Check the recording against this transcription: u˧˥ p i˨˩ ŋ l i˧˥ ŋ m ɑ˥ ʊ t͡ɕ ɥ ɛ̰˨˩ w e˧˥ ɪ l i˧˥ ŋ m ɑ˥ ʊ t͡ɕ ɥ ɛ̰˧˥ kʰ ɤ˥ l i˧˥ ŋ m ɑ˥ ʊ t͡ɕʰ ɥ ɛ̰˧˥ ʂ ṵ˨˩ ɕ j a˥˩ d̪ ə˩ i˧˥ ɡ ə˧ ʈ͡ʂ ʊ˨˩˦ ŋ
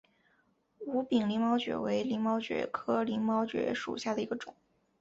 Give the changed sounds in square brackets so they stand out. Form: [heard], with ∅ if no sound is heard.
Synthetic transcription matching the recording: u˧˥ p i˨˩ ŋ l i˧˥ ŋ m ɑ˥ ʊ t͡ɕ ɥ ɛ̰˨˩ w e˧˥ ɪ l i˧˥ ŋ m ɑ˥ ʊ t͡ɕ ɥ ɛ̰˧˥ kʰ ɤ˥ l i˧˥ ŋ m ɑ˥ ʊ [t͡ɕ] ɥ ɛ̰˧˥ ʂ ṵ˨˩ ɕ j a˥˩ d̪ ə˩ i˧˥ ɡ ə˧ ʈ͡ʂ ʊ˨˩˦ ŋ